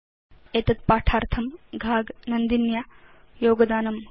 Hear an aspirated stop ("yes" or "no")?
yes